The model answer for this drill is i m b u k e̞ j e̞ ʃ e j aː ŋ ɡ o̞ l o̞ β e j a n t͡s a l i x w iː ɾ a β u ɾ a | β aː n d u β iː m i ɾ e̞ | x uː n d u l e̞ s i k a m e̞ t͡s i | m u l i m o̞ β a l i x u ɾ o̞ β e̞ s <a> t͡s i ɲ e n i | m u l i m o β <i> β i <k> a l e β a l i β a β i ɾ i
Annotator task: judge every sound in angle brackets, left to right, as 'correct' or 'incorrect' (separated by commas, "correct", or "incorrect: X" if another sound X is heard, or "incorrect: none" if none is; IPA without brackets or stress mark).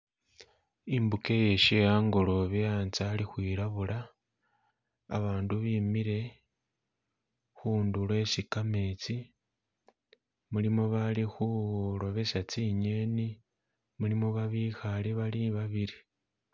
correct, incorrect: a, incorrect: x